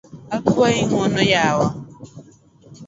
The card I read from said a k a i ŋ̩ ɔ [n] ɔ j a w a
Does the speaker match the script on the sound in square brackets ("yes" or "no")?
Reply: yes